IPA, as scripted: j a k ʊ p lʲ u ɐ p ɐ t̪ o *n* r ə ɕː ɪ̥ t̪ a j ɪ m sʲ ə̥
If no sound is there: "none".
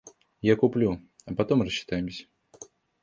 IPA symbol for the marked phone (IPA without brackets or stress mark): m